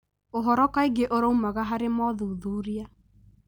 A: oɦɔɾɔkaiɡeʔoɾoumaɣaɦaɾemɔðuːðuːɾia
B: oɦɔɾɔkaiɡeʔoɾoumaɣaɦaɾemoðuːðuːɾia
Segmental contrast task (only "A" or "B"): A